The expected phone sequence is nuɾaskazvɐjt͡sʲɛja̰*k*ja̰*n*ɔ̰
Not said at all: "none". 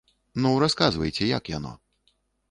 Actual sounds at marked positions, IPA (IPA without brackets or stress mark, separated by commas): k, n